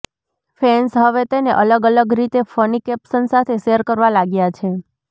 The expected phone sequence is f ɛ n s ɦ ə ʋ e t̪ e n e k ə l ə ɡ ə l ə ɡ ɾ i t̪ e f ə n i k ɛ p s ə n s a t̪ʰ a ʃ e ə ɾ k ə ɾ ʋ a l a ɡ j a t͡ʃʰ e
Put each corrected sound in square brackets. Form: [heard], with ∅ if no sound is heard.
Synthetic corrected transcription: f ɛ n s ɦ ə ʋ e t̪ e n e [ʔ] ə l ə ɡ ə l ə ɡ ɾ i t̪ e f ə n i k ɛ p s ə n s a t̪ʰ [e] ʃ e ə ɾ k ə ɾ ʋ a l a ɡ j a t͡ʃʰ e